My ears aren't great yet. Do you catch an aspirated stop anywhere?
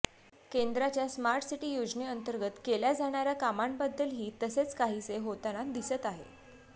no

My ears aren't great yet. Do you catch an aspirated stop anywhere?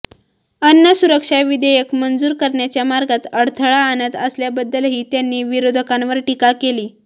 yes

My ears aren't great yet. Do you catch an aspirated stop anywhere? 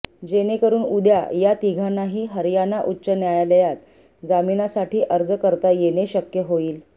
no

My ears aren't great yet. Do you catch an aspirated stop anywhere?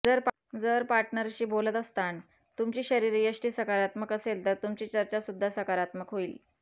no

